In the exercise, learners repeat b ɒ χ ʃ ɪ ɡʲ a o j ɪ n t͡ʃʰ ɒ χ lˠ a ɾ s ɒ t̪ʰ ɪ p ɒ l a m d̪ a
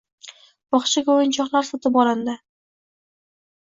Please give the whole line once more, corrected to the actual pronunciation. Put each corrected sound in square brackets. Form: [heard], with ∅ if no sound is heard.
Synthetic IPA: b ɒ χ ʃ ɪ ɡʲ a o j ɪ n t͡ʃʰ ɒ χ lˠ a ɾ s ɒ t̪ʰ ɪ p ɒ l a [n] d̪ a

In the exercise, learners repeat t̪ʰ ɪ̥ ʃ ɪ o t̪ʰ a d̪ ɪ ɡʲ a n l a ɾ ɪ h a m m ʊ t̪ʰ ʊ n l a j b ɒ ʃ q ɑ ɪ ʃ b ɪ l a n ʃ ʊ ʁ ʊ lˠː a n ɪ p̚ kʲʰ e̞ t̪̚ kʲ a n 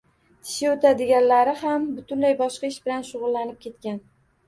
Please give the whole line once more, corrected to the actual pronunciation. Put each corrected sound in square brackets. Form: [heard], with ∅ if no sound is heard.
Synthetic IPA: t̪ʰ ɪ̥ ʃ ɪ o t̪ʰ a d̪ ɪ ɡʲ a n l a ɾ ɪ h a m [b] ʊ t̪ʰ ʊ n l a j b ɒ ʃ q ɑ ɪ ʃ b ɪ l a n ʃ ʊ ʁ ʊ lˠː a n ɪ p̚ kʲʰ e̞ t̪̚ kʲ a n

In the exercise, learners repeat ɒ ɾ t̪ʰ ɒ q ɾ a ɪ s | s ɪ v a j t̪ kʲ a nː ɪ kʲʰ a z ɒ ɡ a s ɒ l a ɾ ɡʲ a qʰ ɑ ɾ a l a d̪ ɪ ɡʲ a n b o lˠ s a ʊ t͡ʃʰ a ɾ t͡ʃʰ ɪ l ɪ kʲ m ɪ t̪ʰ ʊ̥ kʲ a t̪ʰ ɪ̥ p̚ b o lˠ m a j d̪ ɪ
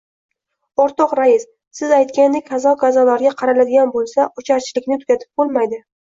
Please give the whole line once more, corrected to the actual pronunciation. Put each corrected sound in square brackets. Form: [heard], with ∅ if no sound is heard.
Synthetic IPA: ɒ ɾ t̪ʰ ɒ q ɾ a ɪ s | s ɪ [z] a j t̪ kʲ a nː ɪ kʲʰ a z ɒ ɡ a [z] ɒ l a ɾ ɡʲ a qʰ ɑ ɾ a l a d̪ ɪ ɡʲ a n b o lˠ s a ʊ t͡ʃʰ a ɾ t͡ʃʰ ɪ l ɪ kʲ [n] ɪ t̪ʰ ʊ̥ kʲ a t̪ʰ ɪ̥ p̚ b o lˠ m a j d̪ ɪ

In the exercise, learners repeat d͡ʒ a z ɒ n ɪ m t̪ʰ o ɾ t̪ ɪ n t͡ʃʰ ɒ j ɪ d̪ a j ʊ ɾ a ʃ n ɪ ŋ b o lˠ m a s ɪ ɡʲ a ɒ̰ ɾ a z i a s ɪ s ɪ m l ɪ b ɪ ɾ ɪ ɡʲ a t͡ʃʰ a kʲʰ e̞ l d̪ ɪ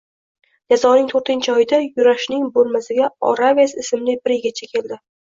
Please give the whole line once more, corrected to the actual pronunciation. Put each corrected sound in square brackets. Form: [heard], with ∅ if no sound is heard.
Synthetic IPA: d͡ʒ a z ɒ n ɪ [ŋ] t̪ʰ o ɾ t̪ ɪ n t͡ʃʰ ɒ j ɪ d̪ a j ʊ ɾ a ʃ n ɪ ŋ b o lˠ m a s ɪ ɡʲ a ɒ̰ ɾ a [v] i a s ɪ s ɪ m l ɪ b ɪ ɾ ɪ ɡʲ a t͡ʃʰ a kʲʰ e̞ l d̪ ɪ

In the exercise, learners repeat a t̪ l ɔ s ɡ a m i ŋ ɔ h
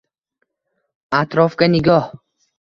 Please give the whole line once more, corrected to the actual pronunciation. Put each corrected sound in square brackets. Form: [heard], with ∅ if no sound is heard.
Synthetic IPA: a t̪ [ɾ] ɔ [f] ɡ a [n] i [ɡ] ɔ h

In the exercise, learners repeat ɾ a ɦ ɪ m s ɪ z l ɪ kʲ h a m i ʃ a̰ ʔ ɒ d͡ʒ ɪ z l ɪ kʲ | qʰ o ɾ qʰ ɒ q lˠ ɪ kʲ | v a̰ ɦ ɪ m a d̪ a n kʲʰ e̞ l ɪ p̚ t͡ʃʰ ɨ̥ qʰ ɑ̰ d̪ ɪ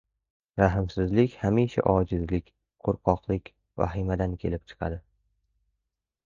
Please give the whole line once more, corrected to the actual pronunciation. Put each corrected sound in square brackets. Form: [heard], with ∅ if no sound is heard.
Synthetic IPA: ɾ a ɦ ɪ m s ɪ z l ɪ kʲ h a m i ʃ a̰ ʔ ɒ d͡ʒ ɪ z l ɪ kʲ | qʰ o ɾ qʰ ɒ q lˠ ɪ kʲ | v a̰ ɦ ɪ m a d̪ a n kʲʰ e̞ l ɪ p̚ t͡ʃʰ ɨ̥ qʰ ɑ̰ d̪ ɪ

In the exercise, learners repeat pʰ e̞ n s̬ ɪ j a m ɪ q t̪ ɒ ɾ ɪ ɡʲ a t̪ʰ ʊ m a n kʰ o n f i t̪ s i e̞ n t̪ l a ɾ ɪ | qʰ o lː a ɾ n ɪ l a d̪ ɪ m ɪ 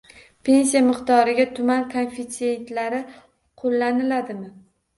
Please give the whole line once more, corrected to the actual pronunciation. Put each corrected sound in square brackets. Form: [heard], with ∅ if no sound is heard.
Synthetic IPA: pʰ e̞ n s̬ [i] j a m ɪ q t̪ ɒ ɾ ɪ ɡʲ a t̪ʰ ʊ m a n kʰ o n f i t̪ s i e̞ n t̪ l a ɾ ɪ | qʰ o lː a [∅] n ɪ l a d̪ ɪ m ɪ

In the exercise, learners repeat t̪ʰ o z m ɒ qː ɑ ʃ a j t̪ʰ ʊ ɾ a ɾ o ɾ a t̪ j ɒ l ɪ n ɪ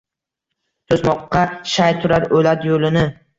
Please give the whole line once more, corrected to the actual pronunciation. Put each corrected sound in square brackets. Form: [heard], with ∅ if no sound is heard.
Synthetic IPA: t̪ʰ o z m ɒ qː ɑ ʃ a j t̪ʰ ʊ ɾ a ɾ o [l] a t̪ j [o] l ɪ n ɪ

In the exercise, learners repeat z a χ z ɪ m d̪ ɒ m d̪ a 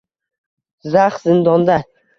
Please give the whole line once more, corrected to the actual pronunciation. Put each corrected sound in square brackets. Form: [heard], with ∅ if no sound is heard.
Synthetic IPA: z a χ z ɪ [n] d̪ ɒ [n] d̪ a

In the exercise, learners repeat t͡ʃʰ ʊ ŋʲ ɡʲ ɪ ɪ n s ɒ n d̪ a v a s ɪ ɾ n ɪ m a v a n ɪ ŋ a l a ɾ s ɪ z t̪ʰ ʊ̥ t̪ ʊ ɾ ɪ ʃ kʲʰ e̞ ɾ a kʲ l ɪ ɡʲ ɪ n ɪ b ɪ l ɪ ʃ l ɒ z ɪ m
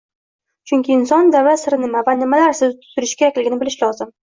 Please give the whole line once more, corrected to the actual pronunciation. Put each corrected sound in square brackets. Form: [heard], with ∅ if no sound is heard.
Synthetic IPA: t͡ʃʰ ʊ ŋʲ [kʲ] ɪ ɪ n s ɒ n d̪ a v a s ɪ ɾ n ɪ m a v a n ɪ [m] a l a ɾ s ɪ z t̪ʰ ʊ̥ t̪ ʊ ɾ ɪ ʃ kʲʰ e̞ ɾ a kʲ l ɪ ɡʲ ɪ n ɪ b ɪ l ɪ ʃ l ɒ z ɪ m

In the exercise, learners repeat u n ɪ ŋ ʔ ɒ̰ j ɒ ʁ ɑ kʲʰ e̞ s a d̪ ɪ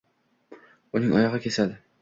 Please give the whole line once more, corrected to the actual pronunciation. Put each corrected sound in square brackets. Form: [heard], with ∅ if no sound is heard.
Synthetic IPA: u n ɪ ŋ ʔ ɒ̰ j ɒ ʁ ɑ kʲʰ e̞ s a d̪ ɪ

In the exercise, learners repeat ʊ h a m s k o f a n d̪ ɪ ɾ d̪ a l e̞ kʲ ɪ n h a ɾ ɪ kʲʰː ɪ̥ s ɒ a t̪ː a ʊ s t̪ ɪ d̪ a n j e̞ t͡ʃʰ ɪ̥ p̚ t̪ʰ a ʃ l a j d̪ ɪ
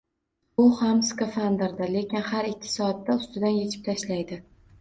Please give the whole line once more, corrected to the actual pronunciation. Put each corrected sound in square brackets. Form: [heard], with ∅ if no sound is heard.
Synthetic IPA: ʊ h a m s k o f a n d̪ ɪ ɾ d̪ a l e̞ kʲ ɪ n h a ɾ ɪ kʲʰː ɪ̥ s ɒ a t̪ː a ʊ s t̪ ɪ d̪ a n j e̞ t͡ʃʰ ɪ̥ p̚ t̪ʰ a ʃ l a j d̪ ɪ

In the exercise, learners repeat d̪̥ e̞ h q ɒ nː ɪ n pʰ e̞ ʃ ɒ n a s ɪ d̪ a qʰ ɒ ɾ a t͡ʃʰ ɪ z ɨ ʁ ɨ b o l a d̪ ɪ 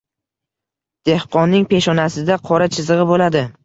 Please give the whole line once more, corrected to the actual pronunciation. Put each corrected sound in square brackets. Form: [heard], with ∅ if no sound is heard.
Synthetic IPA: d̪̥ e̞ h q ɒ nː ɪ [ŋ] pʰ e̞ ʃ ɒ n a s ɪ d̪ a qʰ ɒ ɾ a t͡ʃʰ ɪ z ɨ ʁ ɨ b o l a d̪ ɪ

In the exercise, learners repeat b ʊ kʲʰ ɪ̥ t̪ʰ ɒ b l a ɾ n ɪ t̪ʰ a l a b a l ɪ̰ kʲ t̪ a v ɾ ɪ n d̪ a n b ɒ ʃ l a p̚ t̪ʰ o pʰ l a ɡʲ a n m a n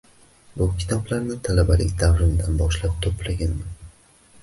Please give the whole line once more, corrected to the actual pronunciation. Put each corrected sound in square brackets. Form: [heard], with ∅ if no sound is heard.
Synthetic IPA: b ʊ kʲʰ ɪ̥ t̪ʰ ɒ b l a ɾ n ɪ t̪ʰ a l a b a l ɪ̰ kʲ [d̪] a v ɾ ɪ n d̪ a n b ɒ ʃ l a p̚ t̪ʰ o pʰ l a ɡʲ a n m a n

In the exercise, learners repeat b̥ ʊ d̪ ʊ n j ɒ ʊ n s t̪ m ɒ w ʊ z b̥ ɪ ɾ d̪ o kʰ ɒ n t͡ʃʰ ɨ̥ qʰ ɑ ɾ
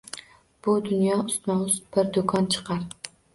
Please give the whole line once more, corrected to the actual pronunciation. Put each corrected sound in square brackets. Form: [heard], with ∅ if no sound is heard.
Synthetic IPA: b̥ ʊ d̪ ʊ n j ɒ ʊ [∅] s t̪ m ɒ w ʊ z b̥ ɪ ɾ d̪ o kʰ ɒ n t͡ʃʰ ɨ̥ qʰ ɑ ɾ

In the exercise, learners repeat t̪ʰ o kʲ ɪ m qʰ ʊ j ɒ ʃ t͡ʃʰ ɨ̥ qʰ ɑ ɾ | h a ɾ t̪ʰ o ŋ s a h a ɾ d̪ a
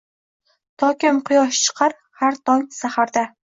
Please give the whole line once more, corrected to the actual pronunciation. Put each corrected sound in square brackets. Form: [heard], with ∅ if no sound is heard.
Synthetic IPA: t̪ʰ [ɒ] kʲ ɪ m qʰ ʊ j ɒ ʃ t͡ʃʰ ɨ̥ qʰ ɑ ɾ | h a ɾ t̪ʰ [ɒ] ŋ s a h a ɾ d̪ a

